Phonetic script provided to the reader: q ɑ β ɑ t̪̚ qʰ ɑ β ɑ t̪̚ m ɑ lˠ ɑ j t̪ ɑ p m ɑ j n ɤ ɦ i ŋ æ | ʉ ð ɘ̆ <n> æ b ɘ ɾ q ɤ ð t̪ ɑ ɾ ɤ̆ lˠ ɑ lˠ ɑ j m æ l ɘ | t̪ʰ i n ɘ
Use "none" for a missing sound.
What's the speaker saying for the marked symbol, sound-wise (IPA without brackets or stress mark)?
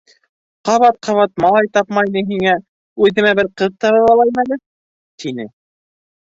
m